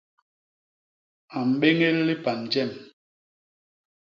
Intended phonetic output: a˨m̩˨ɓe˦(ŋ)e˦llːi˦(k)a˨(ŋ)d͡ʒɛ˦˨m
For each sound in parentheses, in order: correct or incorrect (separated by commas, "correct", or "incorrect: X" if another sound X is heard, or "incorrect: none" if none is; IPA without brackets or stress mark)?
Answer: correct, incorrect: p, incorrect: n